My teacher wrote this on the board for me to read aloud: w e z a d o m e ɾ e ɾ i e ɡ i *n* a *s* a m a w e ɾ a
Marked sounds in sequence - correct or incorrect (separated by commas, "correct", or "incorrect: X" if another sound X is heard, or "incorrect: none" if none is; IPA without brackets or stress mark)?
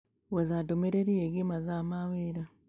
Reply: incorrect: m, incorrect: z